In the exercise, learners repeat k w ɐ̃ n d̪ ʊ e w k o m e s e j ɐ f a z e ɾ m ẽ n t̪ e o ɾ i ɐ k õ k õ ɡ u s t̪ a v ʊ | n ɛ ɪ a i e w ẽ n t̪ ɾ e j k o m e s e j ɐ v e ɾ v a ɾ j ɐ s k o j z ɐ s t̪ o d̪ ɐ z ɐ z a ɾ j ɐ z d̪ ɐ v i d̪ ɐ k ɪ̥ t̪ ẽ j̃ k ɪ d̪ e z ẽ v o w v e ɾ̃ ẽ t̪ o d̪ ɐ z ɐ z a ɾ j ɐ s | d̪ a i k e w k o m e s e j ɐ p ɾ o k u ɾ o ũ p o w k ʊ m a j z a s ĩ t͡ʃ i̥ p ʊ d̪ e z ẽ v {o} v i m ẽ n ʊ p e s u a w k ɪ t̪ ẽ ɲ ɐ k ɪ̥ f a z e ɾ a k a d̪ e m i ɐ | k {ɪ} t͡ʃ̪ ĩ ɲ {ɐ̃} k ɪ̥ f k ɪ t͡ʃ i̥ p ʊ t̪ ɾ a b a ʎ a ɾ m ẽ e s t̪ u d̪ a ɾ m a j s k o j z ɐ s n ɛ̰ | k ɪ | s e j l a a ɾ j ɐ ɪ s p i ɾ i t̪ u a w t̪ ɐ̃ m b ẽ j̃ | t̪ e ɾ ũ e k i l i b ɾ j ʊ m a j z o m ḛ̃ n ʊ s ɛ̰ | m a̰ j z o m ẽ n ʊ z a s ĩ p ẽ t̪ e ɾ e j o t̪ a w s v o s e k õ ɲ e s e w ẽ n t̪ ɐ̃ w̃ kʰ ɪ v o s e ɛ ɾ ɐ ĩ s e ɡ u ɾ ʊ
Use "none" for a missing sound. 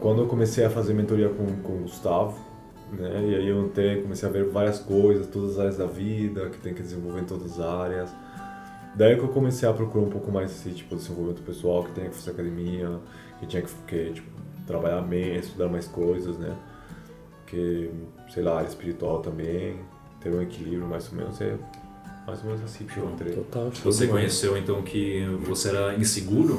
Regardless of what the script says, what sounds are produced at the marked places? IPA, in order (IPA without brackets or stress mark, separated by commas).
o, ɪ, ɐ